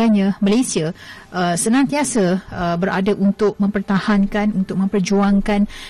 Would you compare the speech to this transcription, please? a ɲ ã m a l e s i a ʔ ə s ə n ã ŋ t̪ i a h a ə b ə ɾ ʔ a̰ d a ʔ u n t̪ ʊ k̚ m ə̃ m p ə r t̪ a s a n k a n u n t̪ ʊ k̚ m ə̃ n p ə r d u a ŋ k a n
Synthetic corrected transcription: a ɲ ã m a l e s i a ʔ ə s ə n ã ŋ t̪ i a s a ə b ə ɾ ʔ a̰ d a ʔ u n t̪ ʊ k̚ m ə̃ m p ə r t̪ a h a n k a n u n t̪ ʊ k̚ m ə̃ m p ə r d͡ʒ u a ŋ k a n